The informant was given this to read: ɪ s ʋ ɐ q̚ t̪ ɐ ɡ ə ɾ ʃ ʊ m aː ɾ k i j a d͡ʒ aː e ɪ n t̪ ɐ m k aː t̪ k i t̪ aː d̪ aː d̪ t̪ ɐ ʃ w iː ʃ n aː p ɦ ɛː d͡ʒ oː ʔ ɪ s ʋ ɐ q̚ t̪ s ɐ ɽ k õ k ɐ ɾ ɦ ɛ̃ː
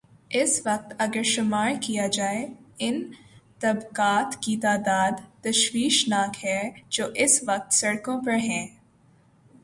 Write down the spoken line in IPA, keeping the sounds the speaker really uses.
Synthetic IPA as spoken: ɪ s ʋ ɐ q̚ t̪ ɐ ɡ ə ɾ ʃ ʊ m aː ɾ k i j a d͡ʒ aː e ɪ n t̪ ɐ b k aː t̪ k i t̪ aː d̪ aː d̪ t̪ ɐ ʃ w iː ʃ n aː k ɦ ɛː d͡ʒ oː ʔ ɪ s ʋ ɐ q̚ t̪ s ɐ ɽ k õ p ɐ ɾ ɦ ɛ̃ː

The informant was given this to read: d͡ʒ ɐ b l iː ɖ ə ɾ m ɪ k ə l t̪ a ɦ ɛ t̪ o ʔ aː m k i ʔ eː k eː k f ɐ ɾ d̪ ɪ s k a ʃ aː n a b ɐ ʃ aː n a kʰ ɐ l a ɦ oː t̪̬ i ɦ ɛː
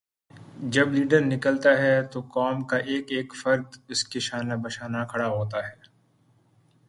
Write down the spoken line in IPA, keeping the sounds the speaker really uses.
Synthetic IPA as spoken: d͡ʒ ɐ b l iː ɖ ə ɾ n ɪ k ə l t̪ a ɦ ɛ t̪ o k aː m k a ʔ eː k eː k f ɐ ɾ d̪ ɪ s k e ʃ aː n a b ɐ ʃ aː n a kʰ ɐ ɽ a ɦ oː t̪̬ a ɦ ɛː

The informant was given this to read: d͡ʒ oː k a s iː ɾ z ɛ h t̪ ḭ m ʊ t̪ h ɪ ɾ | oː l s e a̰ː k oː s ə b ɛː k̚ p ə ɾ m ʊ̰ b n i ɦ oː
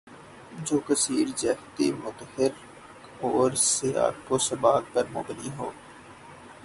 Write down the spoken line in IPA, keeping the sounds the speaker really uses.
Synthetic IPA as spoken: d͡ʒ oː k ə s iː ɾ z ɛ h t̪ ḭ m ʊ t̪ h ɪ ɾ | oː ɾ s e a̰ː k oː s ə b aː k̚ p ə ɾ m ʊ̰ b n i ɦ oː

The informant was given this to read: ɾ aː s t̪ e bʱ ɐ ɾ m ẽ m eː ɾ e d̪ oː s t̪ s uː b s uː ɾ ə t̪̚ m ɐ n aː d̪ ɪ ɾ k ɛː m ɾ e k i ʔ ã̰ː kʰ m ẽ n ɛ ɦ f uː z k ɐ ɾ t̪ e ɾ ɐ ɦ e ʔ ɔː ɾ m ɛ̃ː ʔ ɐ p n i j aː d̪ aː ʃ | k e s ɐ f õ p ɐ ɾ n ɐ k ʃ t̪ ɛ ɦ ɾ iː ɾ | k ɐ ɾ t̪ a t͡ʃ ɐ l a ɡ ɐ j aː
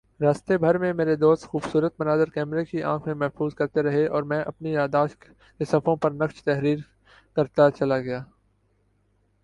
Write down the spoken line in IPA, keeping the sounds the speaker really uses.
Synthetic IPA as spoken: ɾ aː s t̪ e bʱ ɐ ɾ m ẽ m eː ɾ e d̪ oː s t̪ x uː b s uː ɾ ə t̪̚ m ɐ n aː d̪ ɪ ɾ k ɛː m ɾ e k i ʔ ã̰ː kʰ m ẽ m ɛ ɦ f uː z k ɐ ɾ t̪ e ɾ ɐ ɦ e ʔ ɔː ɾ m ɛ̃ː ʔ ɐ p n i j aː d̪ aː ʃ | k e s ɐ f õ p ɐ ɾ n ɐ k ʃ t̪ ɛ ɦ ɾ iː ɾ | k ɐ ɾ t̪ a t͡ʃ ɐ l a ɡ ɐ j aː

